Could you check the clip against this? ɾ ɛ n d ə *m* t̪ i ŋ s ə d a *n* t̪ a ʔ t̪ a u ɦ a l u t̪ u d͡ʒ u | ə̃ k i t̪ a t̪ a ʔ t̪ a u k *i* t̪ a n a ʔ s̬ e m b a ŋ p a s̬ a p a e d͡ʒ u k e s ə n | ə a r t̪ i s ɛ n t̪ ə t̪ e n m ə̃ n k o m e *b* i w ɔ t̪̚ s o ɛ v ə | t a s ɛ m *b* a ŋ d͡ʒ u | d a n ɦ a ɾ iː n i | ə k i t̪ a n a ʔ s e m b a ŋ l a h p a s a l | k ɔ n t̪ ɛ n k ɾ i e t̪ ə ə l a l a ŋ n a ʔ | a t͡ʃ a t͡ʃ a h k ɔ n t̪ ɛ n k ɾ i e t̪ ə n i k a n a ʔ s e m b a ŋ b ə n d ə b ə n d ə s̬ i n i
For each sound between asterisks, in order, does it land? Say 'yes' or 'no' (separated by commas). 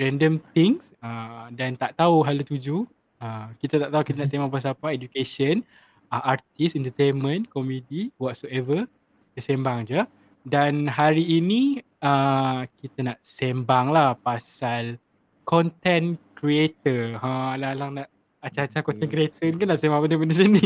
yes, yes, yes, no, yes